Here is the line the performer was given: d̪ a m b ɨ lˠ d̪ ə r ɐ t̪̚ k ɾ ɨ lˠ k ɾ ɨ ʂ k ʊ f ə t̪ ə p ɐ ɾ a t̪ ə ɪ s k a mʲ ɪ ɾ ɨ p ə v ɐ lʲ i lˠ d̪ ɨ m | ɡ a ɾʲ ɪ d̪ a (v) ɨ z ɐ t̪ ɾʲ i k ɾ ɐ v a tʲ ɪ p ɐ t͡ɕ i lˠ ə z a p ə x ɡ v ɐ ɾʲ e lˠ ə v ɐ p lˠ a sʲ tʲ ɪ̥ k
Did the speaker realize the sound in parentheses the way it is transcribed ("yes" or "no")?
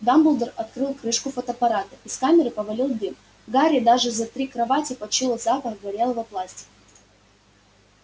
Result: no